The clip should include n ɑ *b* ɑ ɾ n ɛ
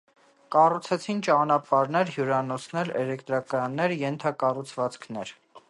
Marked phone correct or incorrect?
incorrect